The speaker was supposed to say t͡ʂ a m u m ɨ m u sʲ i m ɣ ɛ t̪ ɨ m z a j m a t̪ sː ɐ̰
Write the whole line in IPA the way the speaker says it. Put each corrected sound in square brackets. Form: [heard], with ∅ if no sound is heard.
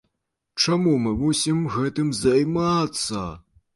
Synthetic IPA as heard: t͡ʂ a m u m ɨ m u sʲ i m ɣ ɛ t̪ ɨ m z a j m a t̪ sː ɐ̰